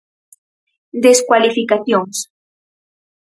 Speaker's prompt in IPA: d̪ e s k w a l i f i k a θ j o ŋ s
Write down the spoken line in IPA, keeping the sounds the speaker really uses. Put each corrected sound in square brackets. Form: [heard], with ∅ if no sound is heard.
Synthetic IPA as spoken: d̪ e s k w a l i f i k a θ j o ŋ s